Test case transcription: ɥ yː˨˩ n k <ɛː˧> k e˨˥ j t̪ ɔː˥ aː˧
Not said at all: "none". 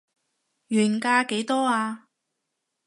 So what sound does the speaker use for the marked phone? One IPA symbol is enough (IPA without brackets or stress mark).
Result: aː˧